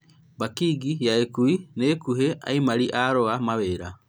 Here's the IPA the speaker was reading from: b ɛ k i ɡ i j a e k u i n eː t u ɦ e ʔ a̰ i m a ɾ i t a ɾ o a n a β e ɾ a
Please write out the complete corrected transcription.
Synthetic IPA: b a k i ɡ i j a e k u i n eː k u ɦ e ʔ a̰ i m a ɾ i ʔ a ɾ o a m a β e ɾ a